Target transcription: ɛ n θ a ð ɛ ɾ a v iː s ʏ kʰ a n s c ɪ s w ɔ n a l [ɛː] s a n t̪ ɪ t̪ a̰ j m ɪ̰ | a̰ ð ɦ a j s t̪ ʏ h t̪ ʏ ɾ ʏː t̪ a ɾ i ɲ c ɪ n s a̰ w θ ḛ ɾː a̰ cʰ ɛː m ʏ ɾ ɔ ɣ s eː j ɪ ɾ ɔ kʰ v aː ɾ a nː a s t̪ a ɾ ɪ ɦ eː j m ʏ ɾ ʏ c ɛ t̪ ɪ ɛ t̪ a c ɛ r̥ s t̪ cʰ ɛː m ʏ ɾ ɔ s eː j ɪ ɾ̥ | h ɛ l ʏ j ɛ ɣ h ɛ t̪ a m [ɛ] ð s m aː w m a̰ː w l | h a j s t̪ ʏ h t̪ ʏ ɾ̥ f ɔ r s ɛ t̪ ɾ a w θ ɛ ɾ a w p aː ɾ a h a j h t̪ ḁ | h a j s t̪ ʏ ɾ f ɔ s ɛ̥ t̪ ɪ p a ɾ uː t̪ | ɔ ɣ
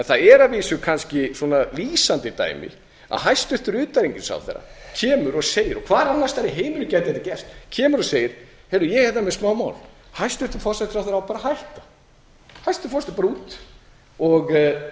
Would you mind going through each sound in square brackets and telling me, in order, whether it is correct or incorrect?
incorrect, correct

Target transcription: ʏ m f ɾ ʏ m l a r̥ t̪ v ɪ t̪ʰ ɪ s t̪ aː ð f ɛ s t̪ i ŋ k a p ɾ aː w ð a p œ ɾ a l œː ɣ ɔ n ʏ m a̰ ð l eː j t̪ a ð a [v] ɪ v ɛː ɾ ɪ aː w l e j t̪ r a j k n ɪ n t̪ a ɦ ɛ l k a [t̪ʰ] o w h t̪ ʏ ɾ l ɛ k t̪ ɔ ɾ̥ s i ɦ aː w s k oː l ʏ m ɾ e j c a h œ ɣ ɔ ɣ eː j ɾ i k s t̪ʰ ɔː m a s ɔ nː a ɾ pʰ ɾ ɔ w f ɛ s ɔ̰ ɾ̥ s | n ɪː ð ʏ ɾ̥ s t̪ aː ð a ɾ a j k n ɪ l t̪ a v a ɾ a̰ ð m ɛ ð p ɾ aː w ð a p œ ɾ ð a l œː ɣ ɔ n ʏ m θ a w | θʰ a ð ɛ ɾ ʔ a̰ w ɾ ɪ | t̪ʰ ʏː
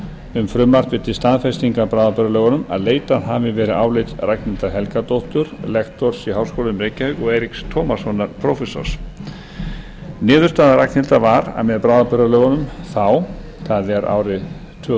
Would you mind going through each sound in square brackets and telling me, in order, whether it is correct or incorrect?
correct, incorrect

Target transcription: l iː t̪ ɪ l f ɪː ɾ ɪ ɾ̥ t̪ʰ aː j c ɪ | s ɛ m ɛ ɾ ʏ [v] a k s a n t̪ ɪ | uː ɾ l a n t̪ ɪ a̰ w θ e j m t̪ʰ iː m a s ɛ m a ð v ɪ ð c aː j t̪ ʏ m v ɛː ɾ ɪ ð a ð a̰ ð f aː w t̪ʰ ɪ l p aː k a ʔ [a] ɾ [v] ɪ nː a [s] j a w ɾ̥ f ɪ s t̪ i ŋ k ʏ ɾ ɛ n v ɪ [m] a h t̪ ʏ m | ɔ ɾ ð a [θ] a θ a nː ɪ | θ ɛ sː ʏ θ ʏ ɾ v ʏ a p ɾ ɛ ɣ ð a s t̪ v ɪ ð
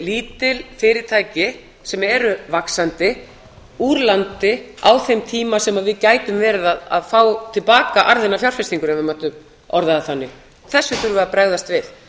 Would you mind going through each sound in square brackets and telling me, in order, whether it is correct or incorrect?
correct, correct, incorrect, incorrect, correct, incorrect

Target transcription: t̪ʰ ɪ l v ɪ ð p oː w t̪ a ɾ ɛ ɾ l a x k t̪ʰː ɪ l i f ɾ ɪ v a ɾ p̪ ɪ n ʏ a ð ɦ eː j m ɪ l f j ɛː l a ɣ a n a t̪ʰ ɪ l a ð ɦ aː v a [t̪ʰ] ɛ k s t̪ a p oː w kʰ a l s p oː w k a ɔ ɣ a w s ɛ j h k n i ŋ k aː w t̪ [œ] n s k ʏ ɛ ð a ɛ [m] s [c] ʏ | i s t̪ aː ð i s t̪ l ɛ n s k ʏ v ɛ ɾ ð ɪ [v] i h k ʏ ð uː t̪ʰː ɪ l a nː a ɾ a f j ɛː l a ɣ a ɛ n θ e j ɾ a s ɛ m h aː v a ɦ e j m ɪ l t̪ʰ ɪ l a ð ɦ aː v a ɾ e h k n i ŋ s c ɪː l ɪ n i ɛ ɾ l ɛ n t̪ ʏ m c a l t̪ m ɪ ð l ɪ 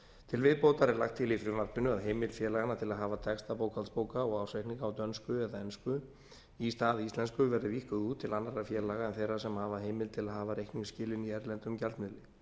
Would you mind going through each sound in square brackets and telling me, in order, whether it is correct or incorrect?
correct, correct, incorrect, incorrect, correct

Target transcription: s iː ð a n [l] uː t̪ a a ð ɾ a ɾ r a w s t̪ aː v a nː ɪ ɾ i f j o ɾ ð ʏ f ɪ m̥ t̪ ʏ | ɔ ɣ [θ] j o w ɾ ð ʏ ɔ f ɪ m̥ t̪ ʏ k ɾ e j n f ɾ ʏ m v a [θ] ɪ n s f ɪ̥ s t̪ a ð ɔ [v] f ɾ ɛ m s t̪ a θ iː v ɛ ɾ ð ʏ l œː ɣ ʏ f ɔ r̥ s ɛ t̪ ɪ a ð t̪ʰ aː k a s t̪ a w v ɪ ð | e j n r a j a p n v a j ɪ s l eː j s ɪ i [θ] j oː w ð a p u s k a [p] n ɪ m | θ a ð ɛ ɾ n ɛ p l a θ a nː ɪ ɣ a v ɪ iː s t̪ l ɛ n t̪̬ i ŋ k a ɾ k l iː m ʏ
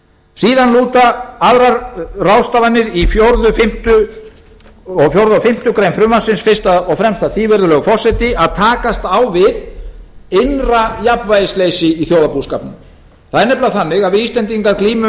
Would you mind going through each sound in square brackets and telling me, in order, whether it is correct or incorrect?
correct, incorrect, incorrect, incorrect, correct, correct

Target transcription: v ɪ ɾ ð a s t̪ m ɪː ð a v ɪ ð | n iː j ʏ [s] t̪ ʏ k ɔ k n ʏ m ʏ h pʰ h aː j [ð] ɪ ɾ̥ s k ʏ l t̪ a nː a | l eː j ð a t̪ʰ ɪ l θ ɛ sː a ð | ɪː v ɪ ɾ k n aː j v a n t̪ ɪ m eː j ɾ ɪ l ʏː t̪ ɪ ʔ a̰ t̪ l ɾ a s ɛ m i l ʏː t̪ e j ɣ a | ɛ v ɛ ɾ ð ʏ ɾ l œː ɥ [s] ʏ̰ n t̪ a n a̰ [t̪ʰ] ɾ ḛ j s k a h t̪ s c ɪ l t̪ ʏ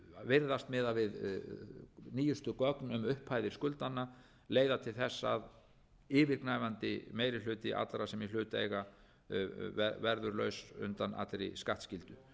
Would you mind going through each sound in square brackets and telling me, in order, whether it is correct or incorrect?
correct, correct, correct, incorrect

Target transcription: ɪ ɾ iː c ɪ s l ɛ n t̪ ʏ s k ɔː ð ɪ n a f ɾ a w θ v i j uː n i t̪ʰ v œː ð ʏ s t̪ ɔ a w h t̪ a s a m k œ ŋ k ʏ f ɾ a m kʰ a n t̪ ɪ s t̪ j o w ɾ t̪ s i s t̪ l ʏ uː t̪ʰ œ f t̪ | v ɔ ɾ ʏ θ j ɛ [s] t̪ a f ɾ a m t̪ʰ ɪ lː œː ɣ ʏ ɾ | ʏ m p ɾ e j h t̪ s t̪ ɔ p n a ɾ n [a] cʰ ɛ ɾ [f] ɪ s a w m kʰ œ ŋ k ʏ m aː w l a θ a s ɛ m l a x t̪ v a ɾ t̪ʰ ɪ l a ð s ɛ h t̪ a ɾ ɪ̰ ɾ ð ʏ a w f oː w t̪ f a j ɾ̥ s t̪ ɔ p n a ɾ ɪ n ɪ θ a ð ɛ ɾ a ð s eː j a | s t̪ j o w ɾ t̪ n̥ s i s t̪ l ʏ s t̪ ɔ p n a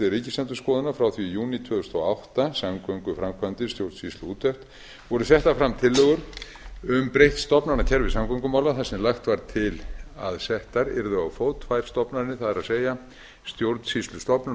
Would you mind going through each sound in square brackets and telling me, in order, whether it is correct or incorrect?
incorrect, correct, incorrect

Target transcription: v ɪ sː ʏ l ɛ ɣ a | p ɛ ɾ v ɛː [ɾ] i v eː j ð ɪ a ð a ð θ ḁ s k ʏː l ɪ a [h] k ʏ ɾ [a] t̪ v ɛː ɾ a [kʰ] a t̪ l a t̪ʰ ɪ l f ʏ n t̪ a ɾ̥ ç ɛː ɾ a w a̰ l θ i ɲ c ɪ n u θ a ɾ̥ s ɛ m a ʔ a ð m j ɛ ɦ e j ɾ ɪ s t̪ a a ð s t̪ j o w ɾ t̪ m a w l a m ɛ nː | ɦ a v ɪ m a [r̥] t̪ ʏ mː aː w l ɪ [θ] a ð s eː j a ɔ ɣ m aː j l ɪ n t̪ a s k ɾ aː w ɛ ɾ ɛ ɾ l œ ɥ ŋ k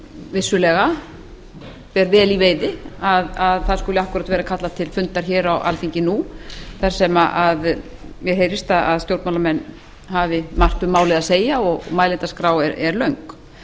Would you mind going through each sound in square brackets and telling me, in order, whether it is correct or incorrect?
incorrect, correct, correct, correct, correct, incorrect

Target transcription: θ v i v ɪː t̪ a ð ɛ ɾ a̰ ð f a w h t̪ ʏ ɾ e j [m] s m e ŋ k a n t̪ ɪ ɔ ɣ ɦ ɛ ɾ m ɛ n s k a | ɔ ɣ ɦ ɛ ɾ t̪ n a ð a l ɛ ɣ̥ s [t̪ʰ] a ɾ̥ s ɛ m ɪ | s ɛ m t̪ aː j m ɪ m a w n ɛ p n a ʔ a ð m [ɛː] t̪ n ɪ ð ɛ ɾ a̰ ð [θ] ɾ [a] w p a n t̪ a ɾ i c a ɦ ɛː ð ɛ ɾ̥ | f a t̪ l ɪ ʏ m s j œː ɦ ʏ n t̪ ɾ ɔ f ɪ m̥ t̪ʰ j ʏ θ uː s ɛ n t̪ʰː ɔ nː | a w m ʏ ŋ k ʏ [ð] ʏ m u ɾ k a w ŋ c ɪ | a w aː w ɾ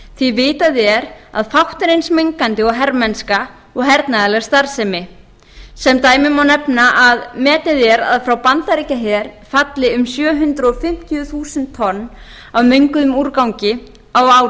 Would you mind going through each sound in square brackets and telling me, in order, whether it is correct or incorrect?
incorrect, incorrect, correct, incorrect, correct, correct

